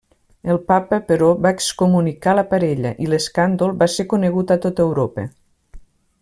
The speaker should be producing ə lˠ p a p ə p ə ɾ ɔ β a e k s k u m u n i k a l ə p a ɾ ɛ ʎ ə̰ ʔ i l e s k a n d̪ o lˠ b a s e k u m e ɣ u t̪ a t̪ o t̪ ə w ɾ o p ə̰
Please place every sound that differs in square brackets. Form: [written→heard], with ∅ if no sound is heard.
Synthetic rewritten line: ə lˠ p a p ə p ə ɾ ɔ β a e k s k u m u n i k a l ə p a ɾ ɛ ʎ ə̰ ʔ i l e s k a n d̪ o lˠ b a s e k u [m→n] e ɣ u t̪ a t̪ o t̪ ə w ɾ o p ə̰